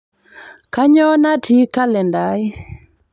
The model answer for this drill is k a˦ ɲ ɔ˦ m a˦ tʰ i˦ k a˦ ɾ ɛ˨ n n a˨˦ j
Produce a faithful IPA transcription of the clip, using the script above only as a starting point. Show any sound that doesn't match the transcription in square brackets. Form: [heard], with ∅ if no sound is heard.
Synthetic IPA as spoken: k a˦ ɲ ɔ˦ [n] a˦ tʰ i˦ k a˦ [l] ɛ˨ n [d] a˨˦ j